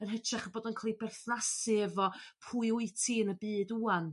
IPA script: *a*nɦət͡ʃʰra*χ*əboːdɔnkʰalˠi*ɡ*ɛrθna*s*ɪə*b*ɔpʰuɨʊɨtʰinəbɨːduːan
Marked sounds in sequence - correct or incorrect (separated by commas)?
incorrect, correct, incorrect, correct, incorrect